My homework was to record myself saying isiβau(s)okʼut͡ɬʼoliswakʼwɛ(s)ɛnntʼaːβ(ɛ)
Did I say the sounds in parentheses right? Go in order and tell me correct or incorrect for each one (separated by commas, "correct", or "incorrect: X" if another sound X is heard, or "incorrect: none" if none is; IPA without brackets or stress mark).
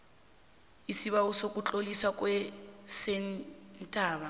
correct, correct, incorrect: a